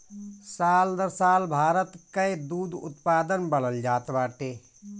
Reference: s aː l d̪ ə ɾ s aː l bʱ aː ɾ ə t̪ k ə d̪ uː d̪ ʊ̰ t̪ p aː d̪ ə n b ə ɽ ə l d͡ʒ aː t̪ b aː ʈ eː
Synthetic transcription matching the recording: s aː l d̪ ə ɾ s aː l bʱ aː ɾ ə t̪ k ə d̪ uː d̪ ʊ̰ t̪ p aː d̪ ə n b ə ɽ ə l d͡ʒ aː t̪ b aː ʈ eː